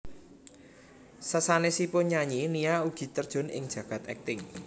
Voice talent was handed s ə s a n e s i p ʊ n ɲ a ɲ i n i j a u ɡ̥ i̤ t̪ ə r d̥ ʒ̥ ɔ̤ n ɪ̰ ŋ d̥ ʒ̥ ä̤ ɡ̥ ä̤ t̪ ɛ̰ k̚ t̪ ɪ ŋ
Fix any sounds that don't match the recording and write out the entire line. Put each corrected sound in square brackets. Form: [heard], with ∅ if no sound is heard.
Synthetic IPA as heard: s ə s a n e s i p ʊ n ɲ a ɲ i n i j a u ɡ̥ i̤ t̪ ə r d̥ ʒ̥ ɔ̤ n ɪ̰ ŋ d̥ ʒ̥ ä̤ ɡ̥ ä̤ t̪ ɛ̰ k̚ t̪ ɪ ŋ